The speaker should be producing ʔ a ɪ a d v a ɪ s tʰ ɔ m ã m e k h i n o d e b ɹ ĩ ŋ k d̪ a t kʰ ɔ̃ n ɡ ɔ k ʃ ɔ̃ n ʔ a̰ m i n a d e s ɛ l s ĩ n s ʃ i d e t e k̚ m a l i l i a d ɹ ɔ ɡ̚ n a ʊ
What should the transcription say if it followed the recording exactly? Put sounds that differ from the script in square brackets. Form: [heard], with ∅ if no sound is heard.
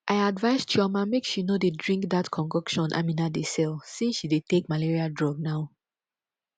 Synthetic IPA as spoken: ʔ a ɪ a d v a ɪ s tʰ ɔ m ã m e k [ʃ] i n o d e [d] ɹ ĩ ŋ k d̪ a t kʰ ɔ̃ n ɡ ɔ k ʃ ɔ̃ n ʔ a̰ m i n a d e s ɛ l s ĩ n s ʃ i d e t e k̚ m a l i [ɹ] i a d ɹ ɔ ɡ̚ n a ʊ